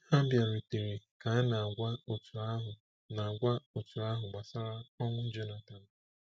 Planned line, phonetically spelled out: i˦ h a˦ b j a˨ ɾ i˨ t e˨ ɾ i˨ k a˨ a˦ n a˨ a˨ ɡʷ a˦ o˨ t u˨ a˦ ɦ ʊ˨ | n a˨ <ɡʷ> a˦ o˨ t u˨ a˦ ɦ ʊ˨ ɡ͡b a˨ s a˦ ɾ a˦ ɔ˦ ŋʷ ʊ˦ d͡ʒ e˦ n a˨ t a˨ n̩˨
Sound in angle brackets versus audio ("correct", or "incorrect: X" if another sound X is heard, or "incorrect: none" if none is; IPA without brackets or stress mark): correct